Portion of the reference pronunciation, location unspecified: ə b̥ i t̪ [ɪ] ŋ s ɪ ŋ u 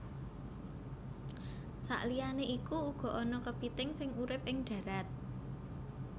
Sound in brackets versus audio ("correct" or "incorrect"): correct